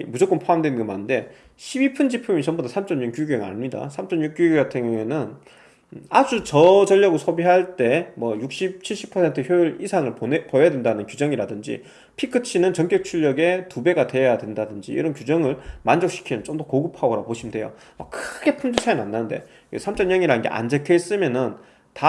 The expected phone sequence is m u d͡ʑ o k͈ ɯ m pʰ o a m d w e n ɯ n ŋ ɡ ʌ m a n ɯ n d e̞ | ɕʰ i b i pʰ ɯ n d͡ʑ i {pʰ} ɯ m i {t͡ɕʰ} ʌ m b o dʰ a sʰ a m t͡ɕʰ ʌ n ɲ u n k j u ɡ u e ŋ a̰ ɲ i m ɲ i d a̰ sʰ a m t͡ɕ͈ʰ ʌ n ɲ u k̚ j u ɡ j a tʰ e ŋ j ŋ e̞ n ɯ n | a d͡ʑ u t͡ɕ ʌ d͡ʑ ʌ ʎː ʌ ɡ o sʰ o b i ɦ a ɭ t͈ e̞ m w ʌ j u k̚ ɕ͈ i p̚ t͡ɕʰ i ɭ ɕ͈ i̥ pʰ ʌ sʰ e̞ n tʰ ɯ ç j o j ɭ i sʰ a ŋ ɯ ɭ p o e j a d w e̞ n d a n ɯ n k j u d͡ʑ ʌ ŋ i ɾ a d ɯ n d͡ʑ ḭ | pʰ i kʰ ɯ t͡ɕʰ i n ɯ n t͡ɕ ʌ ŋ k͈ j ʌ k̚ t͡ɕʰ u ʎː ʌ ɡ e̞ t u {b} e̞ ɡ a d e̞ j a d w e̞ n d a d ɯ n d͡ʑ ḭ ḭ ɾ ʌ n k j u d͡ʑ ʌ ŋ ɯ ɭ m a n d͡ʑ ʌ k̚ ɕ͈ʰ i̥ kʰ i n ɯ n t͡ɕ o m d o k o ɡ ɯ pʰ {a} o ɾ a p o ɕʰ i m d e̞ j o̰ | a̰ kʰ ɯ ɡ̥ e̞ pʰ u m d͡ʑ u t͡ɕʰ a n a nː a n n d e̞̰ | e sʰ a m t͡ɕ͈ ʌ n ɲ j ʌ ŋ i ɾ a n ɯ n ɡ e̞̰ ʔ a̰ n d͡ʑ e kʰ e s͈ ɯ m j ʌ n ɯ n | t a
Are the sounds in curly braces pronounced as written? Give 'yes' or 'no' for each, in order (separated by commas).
yes, no, yes, yes